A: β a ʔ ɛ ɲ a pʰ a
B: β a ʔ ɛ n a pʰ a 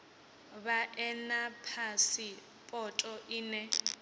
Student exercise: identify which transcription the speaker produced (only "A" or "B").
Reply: B